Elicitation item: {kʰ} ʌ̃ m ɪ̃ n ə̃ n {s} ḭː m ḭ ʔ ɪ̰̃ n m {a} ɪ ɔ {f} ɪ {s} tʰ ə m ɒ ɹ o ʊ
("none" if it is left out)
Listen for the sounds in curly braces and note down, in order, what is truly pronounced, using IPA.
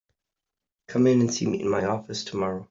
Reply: kʰ, s, a, f, s

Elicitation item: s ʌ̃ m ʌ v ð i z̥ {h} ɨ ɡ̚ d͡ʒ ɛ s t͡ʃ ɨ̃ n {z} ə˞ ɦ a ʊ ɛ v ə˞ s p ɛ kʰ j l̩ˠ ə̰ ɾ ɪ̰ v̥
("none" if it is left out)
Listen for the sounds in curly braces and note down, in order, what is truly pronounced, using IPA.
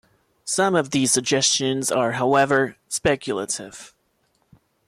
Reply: s, z

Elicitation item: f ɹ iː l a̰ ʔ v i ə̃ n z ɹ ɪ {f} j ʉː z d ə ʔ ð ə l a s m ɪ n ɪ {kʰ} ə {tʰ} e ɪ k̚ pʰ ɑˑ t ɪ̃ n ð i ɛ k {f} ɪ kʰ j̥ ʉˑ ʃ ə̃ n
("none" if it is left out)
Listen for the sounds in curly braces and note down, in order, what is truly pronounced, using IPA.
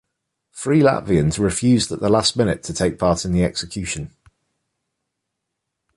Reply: f, tʰ, tʰ, s

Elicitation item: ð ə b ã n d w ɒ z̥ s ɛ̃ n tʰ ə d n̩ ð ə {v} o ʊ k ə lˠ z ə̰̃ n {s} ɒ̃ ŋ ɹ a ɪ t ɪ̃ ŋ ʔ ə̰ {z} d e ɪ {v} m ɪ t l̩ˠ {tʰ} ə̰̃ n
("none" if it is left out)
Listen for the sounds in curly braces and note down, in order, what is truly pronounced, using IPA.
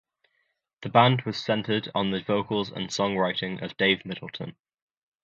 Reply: v, s, v, v, tʰ

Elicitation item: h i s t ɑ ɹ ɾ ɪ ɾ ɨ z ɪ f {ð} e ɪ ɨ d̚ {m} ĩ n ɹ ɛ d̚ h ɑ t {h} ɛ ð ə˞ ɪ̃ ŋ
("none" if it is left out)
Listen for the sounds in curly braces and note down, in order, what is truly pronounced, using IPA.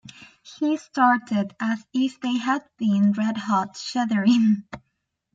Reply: ð, b, ʃ

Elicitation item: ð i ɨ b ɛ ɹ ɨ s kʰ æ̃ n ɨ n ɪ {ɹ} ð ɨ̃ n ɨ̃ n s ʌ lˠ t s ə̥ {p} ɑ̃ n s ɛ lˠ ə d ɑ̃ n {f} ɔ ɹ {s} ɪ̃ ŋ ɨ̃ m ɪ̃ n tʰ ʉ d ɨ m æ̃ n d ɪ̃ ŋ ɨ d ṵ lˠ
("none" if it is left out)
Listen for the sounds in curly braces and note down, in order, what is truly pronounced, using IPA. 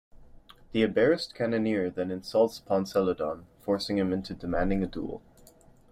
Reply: ɹ, pʰ, f, s

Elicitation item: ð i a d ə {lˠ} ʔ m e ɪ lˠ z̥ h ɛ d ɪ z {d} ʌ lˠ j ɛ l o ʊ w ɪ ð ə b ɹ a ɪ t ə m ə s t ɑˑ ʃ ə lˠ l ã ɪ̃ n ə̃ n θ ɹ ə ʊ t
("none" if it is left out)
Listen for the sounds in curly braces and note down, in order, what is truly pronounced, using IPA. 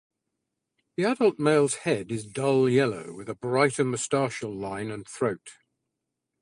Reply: lˠ, d

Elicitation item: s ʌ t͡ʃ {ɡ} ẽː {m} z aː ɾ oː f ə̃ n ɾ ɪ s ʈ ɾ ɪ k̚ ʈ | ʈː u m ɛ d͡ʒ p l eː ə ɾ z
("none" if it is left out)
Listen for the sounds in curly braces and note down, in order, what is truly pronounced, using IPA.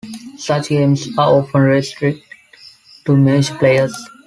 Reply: ɡ, m

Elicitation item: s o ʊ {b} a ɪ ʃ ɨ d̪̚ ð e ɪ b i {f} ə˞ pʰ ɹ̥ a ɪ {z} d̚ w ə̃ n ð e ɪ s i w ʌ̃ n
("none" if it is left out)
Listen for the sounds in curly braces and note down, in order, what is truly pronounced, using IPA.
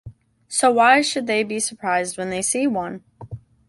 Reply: w, s, z

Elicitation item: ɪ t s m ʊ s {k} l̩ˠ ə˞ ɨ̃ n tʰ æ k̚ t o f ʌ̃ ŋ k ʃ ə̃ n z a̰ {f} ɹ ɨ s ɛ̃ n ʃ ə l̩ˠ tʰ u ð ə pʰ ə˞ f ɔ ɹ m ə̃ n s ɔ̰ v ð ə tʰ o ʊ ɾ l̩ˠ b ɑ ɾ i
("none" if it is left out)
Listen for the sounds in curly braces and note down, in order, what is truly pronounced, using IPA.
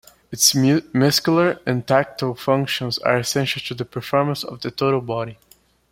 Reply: k, none

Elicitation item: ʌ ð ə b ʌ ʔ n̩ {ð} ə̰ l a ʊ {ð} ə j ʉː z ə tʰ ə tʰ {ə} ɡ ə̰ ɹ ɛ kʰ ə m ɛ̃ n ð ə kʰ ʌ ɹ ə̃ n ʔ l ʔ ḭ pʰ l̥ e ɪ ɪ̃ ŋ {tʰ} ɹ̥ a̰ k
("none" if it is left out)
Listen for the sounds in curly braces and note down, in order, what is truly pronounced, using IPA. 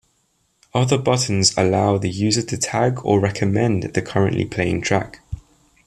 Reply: z, ð, a, tʰ

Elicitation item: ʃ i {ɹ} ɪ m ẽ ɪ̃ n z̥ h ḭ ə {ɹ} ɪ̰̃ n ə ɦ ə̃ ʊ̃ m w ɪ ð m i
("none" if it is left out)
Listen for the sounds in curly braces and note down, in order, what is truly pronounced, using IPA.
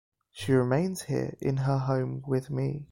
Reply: ɹ, ɹ

